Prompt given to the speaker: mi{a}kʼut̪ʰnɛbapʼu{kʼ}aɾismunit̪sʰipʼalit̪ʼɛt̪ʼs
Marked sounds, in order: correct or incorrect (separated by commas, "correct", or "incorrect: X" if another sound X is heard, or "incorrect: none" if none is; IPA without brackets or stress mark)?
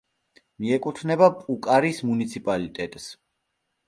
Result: incorrect: ɛ, correct